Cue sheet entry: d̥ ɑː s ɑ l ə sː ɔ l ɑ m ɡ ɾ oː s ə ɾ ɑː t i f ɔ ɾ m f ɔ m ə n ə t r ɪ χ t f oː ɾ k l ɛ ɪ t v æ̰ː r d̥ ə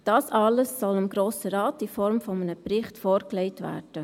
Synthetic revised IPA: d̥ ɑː s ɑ l ə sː ɔ l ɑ m ɡ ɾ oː s ə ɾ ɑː t i f ɔ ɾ m f ɔ m ə n ə p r ɪ χ t f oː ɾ k l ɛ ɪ t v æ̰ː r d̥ ə